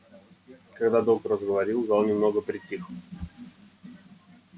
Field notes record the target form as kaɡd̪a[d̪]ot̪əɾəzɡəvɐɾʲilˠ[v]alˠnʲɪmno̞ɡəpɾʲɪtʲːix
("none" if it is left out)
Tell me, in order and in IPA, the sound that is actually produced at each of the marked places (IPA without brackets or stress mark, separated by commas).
d̪, z